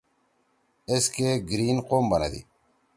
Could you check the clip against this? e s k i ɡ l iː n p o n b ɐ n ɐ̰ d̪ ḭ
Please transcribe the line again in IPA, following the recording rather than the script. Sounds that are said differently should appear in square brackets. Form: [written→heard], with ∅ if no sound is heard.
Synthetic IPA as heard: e s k [i→e] ɡ [l→ɾ] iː n [p→q] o [n→m] b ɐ n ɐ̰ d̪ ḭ